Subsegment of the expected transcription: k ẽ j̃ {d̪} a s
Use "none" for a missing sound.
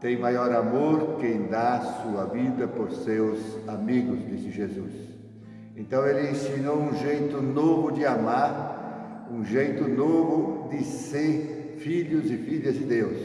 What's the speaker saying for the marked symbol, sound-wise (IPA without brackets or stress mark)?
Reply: d̪